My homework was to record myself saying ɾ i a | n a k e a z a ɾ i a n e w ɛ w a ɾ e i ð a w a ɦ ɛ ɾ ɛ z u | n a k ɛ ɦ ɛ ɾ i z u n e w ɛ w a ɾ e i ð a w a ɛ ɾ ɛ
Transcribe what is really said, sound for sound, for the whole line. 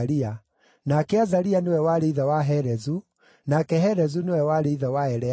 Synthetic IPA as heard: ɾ i a | n a k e a z a ɾ i a n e w ɛ w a ɾ e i ð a w a ɦ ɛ ɾ ɛ z u | n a k ɛ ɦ ɛ ɾ ɛ z u n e w ɛ w a ɾ e i ð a w a ɛ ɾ ɛ